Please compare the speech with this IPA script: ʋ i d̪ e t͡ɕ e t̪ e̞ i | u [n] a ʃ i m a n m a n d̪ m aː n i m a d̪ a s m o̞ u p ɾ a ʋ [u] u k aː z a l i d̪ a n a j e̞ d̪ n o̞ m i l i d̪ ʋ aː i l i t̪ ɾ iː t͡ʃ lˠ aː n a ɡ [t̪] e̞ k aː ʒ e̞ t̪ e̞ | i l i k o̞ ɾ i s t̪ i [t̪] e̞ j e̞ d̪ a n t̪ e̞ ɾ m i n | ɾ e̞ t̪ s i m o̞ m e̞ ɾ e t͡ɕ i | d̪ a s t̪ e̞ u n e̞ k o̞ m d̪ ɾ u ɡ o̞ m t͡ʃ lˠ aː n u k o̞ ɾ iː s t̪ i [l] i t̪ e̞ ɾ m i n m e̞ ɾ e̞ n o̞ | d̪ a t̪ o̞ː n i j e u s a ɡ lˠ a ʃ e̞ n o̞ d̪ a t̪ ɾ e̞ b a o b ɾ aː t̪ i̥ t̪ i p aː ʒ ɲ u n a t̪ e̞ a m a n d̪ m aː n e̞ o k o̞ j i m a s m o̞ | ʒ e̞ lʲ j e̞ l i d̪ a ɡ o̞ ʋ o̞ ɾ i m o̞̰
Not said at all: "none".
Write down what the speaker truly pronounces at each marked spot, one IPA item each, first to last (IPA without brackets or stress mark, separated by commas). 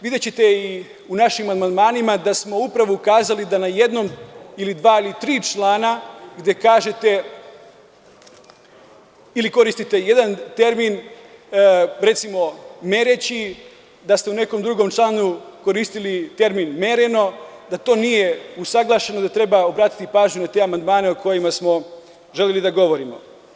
n, o, d̪, t̪, l